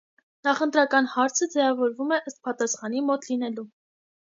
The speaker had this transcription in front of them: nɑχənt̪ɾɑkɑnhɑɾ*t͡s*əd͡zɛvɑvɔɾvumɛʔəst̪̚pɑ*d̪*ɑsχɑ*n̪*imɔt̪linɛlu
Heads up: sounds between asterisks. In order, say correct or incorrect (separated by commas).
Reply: incorrect, incorrect, correct